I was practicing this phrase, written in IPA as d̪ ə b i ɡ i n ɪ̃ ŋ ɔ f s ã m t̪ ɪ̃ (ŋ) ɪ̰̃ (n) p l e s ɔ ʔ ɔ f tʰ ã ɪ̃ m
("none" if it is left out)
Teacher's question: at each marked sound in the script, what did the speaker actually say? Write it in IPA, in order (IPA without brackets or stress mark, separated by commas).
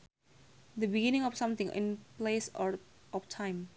ŋ, n